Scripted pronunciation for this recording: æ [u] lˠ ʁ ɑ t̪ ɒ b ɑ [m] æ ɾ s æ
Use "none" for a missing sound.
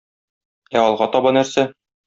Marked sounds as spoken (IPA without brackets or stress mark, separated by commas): ɒ, n